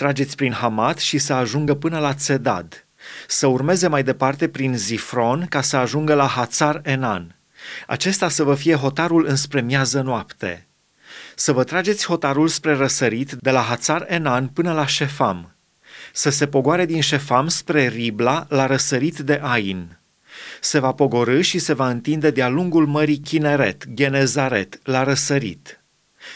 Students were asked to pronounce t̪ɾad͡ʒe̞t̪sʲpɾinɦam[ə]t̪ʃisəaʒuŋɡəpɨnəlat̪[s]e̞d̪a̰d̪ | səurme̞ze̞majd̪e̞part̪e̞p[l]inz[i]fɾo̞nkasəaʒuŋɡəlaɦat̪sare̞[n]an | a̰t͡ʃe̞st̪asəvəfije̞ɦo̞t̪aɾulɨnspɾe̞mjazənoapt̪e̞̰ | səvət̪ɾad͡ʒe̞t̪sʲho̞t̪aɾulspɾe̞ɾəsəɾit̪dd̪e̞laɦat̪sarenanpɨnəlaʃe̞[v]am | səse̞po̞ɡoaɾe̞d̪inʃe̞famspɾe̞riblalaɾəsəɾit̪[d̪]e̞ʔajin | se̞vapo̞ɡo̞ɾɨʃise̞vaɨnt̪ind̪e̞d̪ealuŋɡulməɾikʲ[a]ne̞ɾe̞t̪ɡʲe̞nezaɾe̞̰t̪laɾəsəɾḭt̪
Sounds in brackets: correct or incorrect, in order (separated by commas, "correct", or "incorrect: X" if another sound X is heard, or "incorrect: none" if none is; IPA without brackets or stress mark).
incorrect: a, correct, incorrect: ɾ, correct, correct, incorrect: f, correct, incorrect: i